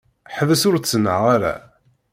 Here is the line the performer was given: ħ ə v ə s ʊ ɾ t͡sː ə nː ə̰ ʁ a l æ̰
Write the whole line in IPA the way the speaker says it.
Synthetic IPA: ħ ə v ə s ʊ ɾ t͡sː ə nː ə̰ ʁ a ɾ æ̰